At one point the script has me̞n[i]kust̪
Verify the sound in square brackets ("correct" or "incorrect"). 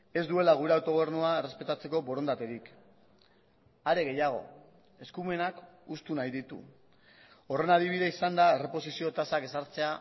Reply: incorrect